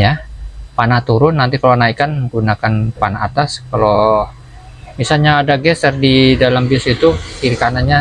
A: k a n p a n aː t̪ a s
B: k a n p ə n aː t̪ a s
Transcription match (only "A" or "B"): A